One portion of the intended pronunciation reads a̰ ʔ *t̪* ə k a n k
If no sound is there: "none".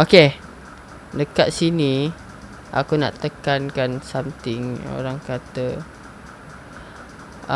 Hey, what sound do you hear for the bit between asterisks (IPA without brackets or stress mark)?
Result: t̪